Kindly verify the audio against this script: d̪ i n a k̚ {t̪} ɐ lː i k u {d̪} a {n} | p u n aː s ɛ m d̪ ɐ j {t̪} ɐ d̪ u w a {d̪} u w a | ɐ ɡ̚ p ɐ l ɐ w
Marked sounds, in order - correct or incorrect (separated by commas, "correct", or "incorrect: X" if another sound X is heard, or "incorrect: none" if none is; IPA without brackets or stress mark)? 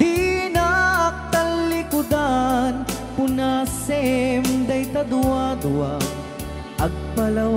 correct, correct, correct, correct, correct